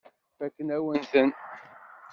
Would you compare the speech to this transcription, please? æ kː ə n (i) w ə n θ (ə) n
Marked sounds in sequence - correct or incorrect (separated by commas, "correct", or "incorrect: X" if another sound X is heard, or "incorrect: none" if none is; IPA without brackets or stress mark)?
incorrect: æ, correct